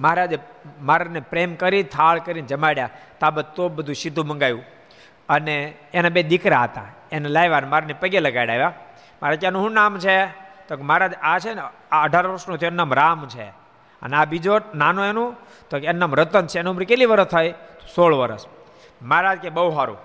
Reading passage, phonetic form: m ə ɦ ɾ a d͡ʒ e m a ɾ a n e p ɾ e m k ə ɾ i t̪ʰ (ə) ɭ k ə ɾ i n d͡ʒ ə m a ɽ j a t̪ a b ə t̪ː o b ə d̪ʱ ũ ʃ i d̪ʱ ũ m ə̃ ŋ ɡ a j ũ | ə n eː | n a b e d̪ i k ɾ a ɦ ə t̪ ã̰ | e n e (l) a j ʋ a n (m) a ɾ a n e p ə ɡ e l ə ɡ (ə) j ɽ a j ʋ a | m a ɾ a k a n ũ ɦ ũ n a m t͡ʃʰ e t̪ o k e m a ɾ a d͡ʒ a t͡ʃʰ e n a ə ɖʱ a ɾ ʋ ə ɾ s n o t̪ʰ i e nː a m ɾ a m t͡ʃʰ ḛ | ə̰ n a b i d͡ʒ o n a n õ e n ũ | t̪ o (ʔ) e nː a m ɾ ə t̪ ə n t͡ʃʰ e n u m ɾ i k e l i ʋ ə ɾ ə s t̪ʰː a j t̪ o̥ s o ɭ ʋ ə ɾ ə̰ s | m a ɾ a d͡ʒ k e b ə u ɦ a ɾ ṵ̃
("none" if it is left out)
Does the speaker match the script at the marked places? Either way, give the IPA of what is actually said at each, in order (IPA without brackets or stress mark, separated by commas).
a, l, m, a, k